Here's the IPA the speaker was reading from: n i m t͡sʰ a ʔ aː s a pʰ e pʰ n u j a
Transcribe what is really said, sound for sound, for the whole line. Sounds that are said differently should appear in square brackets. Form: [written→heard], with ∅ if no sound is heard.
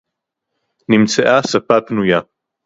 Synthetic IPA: n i m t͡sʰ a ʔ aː s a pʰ [e→a] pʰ n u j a